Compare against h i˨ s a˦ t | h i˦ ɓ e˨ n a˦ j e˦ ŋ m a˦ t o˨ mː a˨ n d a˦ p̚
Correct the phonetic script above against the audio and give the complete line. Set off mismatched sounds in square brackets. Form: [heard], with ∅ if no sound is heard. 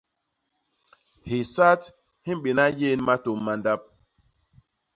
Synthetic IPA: h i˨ s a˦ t | h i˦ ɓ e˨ n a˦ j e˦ [n] m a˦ t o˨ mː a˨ n d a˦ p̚